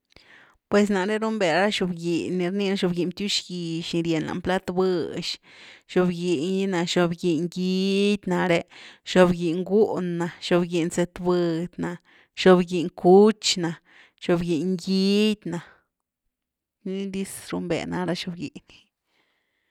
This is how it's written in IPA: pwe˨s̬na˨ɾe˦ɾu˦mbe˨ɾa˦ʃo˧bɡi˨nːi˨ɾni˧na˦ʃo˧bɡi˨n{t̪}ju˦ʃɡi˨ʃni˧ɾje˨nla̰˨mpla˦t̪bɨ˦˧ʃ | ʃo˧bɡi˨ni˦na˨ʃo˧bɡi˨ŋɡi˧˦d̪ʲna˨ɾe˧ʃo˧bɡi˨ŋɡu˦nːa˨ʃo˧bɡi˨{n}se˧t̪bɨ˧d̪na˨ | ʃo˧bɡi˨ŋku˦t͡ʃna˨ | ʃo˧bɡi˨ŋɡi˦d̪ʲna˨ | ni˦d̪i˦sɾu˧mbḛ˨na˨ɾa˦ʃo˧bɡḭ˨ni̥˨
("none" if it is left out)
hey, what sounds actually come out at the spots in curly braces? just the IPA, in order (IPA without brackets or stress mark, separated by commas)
t̪, n